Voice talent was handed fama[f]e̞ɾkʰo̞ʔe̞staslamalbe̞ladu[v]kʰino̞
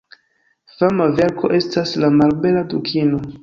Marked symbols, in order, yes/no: no, no

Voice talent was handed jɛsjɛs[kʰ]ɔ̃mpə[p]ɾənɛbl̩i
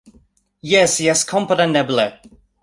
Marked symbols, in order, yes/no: yes, no

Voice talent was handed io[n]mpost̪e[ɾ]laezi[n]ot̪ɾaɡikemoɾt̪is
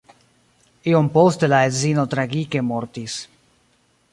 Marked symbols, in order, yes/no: no, no, yes

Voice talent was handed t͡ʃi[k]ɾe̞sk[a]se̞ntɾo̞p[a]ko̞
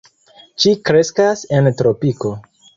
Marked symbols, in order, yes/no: yes, yes, no

